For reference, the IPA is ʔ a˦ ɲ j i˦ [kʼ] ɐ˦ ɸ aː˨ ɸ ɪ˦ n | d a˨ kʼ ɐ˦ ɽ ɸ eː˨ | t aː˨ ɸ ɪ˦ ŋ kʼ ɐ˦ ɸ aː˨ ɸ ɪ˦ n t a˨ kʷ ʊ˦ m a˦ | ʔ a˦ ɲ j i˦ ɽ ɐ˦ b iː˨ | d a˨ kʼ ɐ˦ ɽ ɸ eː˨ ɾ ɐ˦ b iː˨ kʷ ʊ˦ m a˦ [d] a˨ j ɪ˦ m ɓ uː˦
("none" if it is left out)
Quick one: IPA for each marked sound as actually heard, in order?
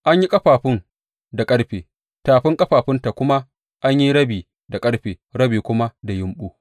kʼ, d

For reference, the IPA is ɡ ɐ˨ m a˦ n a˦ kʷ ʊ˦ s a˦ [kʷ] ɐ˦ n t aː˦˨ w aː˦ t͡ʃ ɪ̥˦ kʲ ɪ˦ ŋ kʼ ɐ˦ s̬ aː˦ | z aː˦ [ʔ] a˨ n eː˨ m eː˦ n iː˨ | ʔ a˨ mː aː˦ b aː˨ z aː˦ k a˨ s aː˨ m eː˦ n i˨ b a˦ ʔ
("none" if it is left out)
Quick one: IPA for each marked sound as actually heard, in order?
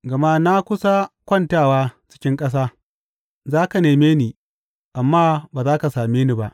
kʷ, k

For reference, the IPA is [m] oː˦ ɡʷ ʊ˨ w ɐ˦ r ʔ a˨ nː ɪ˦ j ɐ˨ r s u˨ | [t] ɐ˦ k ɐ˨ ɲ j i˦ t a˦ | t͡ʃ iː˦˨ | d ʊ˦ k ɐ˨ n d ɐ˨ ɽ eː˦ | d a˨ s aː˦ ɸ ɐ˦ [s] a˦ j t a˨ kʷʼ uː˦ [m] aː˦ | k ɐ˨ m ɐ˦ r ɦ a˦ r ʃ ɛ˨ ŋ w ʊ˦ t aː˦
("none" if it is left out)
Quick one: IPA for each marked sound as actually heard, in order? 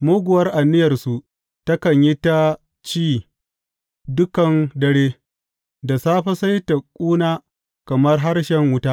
m, t, s, n

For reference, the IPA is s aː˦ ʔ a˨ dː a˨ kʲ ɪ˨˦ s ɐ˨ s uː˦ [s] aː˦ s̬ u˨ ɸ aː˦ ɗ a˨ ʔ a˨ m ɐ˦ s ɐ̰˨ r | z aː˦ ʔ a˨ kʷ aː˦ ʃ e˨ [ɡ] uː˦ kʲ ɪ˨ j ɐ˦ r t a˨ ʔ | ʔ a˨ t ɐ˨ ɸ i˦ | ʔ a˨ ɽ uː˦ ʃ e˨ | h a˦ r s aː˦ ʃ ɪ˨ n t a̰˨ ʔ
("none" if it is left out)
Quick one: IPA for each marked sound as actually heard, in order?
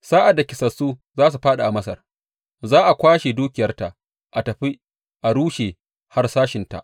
z, d

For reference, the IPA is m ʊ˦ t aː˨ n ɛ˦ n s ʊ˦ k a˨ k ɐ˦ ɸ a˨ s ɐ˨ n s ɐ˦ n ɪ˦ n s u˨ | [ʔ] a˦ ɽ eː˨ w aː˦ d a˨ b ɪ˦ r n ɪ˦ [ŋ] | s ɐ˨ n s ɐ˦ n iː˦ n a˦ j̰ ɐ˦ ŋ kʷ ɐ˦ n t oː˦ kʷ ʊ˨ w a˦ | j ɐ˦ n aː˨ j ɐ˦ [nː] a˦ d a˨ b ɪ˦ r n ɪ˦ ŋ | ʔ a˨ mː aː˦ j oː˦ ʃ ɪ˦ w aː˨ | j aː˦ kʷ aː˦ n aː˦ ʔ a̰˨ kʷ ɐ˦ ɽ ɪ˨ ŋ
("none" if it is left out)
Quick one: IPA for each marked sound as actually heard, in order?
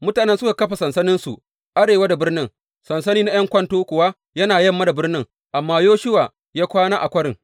ʔ, ŋ, mː

